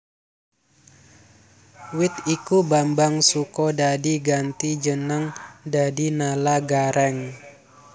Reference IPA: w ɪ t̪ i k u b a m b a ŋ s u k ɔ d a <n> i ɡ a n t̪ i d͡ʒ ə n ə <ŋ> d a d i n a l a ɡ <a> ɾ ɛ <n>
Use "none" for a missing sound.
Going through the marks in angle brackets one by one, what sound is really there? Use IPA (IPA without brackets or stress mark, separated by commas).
d, ŋ, a, ŋ